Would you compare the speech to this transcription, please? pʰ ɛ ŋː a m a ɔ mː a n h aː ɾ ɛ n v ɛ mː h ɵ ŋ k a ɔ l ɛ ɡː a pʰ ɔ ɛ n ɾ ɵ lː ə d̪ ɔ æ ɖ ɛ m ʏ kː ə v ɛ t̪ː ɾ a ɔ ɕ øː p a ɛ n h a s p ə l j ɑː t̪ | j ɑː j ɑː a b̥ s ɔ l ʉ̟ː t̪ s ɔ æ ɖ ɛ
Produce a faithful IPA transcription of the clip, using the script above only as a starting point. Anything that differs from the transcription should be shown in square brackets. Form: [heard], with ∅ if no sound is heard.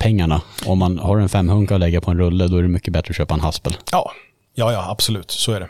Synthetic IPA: pʰ ɛ ŋː a [ɳ] a ɔ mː a n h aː ɾ ɛ n [f] ɛ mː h ɵ ŋ k a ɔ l ɛ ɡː a pʰ ɔ ɛ n ɾ ɵ lː ə d̪ ɔ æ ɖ ɛ m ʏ kː ə [b] ɛ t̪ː ɾ [ə] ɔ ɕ øː p a ɛ n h a s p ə l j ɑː [∅] | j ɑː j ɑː a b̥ s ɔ l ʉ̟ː t̪ s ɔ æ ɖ ɛ